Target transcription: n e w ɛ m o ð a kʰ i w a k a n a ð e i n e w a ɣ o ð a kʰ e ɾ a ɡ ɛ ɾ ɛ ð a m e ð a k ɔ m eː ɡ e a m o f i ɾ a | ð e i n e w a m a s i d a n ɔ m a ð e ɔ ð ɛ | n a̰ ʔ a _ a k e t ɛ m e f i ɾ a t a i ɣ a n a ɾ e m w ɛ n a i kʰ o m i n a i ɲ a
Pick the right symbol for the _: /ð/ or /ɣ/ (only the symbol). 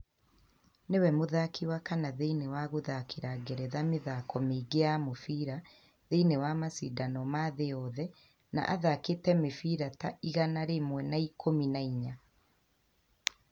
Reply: ð